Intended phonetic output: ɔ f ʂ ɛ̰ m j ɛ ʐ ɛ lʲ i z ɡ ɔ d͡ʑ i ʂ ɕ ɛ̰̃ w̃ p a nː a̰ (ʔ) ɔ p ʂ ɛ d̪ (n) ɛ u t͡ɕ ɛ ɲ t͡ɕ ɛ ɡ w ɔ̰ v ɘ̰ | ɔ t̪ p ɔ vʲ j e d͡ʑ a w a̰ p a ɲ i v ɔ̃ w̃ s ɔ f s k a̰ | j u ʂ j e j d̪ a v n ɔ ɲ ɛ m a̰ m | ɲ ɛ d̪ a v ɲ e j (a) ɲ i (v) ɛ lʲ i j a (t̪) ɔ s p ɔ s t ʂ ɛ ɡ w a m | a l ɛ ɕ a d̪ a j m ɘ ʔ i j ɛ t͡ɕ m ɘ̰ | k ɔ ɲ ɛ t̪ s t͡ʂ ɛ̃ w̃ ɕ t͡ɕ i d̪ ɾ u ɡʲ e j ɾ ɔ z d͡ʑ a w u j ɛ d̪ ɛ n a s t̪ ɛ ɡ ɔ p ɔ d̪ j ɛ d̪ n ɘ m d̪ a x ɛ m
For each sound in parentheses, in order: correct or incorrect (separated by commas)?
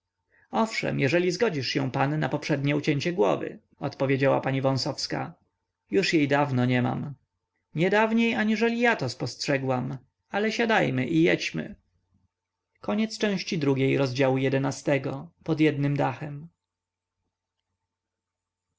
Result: incorrect, incorrect, correct, incorrect, correct